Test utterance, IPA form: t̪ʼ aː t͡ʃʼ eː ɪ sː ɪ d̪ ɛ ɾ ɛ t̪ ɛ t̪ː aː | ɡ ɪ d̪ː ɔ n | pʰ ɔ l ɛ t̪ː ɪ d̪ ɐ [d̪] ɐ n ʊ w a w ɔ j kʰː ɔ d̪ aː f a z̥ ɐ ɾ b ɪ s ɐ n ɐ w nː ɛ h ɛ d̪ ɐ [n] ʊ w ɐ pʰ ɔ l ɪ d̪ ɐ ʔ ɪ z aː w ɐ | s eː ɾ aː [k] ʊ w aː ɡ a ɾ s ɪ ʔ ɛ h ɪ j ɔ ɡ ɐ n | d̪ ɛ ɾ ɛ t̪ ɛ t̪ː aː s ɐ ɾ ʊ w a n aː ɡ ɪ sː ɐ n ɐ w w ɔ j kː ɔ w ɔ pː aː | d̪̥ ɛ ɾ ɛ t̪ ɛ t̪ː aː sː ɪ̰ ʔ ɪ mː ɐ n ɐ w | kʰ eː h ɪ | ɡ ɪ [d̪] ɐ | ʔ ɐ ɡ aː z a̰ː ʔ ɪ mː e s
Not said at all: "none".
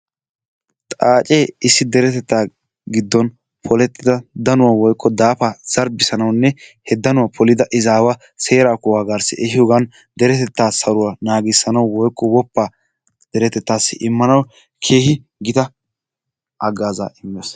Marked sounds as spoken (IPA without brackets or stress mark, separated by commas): d̪, n, k, t̪